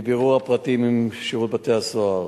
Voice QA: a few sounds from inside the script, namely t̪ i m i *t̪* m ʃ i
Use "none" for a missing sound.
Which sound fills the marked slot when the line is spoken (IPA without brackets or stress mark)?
none